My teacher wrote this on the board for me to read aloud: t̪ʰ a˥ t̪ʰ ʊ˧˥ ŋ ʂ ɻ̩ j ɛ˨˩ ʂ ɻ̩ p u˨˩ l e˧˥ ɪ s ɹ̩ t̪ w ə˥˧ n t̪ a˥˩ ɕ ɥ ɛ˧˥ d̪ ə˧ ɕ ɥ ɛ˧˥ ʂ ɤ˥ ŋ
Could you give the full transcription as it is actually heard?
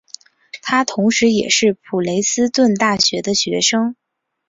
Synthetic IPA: t̪ʰ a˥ t̪ʰ ʊ˧˥ ŋ ʂ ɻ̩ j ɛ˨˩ ʂ ɻ̩ pʰ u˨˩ l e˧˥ ɪ s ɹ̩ t̪ w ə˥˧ n t̪ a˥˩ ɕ ɥ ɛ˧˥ d̪ ə˧ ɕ ɥ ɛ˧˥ ʂ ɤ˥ ŋ